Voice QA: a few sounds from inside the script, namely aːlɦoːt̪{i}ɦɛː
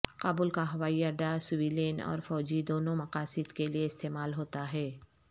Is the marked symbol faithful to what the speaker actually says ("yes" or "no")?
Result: no